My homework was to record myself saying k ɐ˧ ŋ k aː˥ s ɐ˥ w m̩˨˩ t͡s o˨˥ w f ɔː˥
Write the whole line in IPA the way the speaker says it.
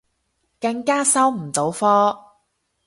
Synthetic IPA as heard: k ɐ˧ ŋ k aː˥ s ɐ˥ w m̩˨˩ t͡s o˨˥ w f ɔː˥